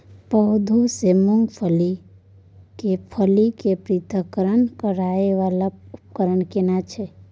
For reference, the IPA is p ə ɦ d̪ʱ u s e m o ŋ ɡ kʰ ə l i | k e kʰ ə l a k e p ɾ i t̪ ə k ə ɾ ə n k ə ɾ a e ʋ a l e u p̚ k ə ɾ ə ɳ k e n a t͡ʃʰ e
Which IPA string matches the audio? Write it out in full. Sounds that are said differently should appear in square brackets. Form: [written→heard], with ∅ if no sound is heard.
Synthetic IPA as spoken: p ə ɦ d̪ʱ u s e m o ŋ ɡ [kʰ→pʰ] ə l i | k e [kʰ→pʰ] ə l [a→i] k e p ɾ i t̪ ə k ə ɾ ə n k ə ɾ a e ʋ a l [e→a] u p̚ k ə ɾ ə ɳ k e n a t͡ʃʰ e